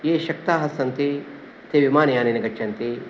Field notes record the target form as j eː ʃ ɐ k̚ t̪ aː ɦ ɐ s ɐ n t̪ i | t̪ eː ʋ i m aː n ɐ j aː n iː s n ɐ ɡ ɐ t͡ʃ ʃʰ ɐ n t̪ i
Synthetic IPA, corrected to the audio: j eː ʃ ɐ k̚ t̪ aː ɦ ɐ s ɐ n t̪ i | t̪ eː ʋ i m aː n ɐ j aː n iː n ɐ ɡ ɐ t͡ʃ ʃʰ ɐ n t̪ i